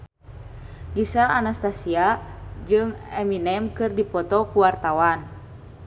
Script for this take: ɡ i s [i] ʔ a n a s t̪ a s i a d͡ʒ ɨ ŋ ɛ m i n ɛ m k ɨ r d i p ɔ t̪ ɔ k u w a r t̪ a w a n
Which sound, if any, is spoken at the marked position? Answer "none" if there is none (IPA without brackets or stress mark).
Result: a